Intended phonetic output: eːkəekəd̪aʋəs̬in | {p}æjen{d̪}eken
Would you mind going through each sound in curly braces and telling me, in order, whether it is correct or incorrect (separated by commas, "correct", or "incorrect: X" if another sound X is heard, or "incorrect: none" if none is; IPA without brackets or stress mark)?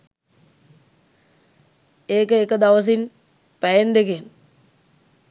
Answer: correct, correct